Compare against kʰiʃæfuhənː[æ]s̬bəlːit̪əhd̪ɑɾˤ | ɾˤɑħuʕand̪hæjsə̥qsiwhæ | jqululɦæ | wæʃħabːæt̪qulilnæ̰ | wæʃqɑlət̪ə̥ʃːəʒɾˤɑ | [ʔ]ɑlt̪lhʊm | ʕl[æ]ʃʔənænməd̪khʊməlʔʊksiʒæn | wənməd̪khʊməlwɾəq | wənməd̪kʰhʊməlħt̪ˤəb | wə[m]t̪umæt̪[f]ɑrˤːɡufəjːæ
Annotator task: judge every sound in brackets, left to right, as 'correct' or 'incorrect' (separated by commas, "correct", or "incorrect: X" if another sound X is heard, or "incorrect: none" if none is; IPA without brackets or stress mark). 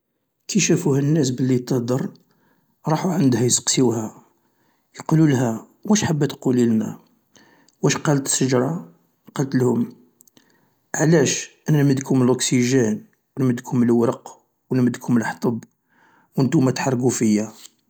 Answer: correct, incorrect: q, correct, incorrect: n, incorrect: ħ